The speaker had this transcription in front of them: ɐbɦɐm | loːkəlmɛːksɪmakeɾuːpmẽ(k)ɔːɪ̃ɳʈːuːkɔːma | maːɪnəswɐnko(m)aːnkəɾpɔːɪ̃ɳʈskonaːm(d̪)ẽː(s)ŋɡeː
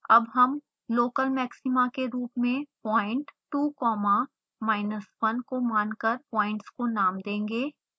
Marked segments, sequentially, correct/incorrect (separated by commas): incorrect, correct, correct, incorrect